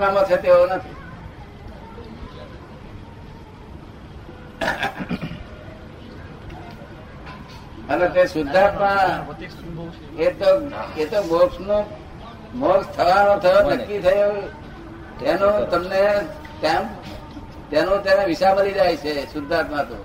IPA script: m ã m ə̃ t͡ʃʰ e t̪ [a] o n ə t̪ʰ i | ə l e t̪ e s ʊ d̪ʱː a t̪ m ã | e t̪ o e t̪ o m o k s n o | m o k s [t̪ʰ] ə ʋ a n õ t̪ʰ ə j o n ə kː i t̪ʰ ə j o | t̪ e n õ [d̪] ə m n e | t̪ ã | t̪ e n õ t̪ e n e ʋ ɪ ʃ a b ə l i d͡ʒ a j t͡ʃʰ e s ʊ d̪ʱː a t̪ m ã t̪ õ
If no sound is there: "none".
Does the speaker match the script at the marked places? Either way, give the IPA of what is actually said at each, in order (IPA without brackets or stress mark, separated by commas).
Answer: e, t̪ʰ, t̪